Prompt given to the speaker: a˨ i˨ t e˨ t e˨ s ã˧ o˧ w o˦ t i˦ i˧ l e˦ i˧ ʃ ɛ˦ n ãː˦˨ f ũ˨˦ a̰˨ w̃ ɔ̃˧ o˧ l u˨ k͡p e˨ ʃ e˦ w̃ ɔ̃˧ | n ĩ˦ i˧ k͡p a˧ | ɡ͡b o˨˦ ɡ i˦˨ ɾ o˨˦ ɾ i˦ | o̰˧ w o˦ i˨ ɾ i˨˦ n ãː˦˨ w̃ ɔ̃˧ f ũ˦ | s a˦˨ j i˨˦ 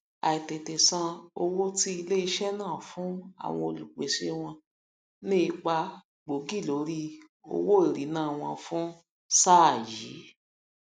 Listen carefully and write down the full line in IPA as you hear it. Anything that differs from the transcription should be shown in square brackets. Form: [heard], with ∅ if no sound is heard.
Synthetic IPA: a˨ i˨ t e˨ t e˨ s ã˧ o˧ w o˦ t i˦ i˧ l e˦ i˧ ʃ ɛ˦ n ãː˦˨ f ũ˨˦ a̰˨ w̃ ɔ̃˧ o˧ l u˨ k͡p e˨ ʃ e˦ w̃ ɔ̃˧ | n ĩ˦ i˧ k͡p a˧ | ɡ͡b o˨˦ ɡ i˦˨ [l] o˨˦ ɾ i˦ | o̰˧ w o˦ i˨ ɾ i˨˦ n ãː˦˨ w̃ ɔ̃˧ f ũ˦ | s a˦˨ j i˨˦